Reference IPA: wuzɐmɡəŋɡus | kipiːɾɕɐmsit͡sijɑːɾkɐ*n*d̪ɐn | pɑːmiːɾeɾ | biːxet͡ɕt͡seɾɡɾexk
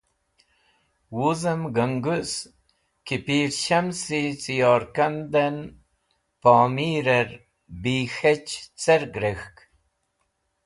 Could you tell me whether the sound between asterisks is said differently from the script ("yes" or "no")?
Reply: no